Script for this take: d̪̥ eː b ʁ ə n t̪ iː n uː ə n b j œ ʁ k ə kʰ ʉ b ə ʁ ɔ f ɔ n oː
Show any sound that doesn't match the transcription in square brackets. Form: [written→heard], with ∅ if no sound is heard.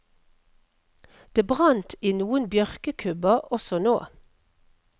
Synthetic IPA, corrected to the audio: d̪̥ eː b ʁ [ə→ɑ] n t̪ iː n uː ə n b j œ ʁ k ə kʰ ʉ b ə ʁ ɔ [f→s] ɔ n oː